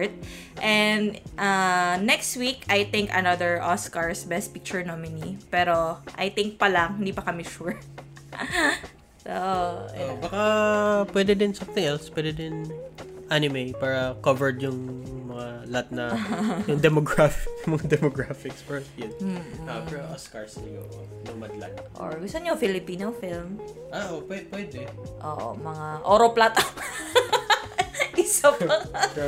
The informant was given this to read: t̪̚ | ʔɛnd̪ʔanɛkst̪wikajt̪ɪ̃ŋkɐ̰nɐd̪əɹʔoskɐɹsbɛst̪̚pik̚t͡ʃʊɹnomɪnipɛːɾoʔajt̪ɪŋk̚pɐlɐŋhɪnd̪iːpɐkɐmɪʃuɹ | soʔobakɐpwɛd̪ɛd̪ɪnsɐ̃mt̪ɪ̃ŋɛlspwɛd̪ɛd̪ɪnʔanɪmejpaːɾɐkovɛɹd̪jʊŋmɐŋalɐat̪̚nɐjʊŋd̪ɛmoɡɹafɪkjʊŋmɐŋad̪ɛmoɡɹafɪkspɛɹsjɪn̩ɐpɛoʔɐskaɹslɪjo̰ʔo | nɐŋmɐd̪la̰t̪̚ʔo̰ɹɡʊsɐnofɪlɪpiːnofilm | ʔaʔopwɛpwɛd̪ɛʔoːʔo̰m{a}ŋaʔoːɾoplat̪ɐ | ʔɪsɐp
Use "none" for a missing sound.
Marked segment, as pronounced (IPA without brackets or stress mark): ɐ